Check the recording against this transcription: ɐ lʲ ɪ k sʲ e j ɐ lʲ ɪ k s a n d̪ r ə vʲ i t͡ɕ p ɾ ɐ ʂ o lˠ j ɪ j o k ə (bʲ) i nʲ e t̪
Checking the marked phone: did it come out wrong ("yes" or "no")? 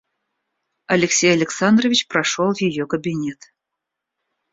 no